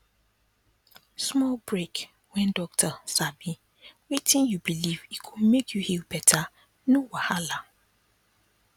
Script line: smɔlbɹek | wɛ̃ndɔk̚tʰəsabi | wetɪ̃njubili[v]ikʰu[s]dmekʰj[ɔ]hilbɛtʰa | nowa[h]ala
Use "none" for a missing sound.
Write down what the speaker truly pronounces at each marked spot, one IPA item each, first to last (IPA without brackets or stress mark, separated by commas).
v, none, u, h